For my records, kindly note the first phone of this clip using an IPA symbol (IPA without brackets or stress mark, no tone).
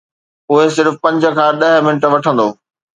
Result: ʊ